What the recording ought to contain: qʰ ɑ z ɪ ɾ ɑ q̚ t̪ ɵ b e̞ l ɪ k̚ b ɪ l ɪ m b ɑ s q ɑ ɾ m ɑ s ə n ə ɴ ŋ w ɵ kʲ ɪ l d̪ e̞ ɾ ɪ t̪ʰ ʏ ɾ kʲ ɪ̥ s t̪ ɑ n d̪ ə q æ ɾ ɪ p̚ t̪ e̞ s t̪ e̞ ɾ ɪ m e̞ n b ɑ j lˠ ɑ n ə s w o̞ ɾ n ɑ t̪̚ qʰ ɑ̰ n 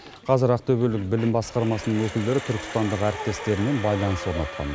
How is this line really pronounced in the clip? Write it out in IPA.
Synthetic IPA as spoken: qʰ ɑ z ɪ ɾ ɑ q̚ t̪ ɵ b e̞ l ɪ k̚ b ɪ l ɪ m b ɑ s q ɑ ɾ m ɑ s ə n ə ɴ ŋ w ɵ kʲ ɪ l d̪ e̞ ɾ ɪ t̪ʰ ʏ ɾ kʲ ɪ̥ s t̪ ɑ n d̪ ə q æ ɾ ɪ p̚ t̪ e̞ s t̪ e̞ ɾ ɪ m e̞ n b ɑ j lˠ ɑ n ə s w o̞ ɾ n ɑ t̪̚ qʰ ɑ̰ n